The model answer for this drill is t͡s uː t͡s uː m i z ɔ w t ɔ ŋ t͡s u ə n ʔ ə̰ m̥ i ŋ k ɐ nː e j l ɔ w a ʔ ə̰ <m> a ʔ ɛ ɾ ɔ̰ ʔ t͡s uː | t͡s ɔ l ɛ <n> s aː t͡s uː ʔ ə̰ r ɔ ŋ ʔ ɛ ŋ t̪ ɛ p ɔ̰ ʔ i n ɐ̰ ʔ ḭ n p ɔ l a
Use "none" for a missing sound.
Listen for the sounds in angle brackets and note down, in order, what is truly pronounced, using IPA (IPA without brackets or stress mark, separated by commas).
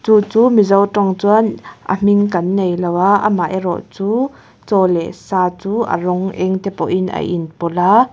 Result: m, none